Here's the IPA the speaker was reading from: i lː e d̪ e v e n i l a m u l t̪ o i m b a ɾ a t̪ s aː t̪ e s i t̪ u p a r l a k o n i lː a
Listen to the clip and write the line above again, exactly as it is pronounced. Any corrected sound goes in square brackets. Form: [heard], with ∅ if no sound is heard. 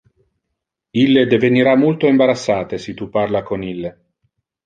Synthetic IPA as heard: i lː e d̪ e v e n i [ɾ] a m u l t̪ o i m b a ɾ a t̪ [sː] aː t̪ e s i t̪ u p a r l a k o n i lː [e]